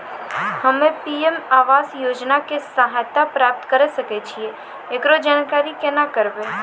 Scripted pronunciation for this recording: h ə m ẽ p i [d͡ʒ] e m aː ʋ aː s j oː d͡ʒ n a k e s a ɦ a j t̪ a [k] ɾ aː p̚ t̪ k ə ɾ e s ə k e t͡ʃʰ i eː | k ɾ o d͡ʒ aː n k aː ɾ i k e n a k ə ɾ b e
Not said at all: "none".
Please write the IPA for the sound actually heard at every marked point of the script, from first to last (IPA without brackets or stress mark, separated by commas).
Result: none, p